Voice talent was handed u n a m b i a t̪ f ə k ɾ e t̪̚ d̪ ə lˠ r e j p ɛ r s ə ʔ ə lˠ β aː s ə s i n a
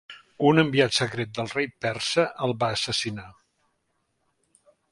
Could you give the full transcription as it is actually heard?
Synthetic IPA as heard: u n ə m b i a t̪ s ə k ɾ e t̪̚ d̪ ə lˠ r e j p ɛ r s ə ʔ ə lˠ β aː s ə s i n a